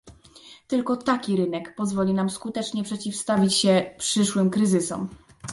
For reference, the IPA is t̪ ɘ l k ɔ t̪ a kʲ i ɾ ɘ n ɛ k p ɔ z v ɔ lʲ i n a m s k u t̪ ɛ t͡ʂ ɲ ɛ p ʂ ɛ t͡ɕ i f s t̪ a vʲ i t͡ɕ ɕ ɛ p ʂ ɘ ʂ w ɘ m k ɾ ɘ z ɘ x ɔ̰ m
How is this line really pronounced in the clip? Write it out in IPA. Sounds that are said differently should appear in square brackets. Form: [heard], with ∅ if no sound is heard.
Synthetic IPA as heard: t̪ ɘ l k ɔ t̪ a kʲ i ɾ ɘ n ɛ k p ɔ z v ɔ lʲ i n a m s k u t̪ ɛ t͡ʂ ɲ ɛ p ʂ ɛ t͡ɕ i f s t̪ a vʲ i t͡ɕ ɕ ɛ p ʂ ɘ ʂ w ɘ m k ɾ ɘ z ɘ [s] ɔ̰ m